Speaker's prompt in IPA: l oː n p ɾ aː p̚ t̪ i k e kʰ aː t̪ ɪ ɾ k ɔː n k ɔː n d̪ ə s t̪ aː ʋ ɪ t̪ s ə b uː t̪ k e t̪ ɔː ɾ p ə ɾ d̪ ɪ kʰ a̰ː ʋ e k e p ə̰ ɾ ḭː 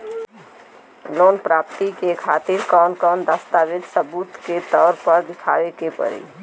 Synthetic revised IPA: l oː n p ɾ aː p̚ t̪ i k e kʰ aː t̪ ɪ ɾ k ɔː n k ɔː n d̪ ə s t̪ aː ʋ ɪ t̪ s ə b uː t̪ k e t̪ ɔː ɾ p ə ɾ d̪ ɪ kʰ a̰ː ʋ e k e p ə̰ ɾ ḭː